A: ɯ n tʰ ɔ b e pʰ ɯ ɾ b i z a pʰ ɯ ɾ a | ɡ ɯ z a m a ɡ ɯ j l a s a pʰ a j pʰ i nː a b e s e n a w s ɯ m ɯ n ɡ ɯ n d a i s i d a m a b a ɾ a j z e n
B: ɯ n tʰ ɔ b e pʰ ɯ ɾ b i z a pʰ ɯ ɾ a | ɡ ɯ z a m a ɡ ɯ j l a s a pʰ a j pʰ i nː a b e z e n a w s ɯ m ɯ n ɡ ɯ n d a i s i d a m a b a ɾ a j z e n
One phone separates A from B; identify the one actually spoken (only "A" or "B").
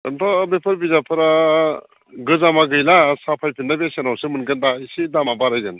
A